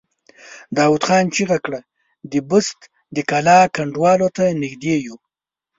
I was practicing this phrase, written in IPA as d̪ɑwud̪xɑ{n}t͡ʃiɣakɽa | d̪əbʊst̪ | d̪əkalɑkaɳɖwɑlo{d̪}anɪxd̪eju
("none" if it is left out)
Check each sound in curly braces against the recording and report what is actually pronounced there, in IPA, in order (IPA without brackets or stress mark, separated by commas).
n, t̪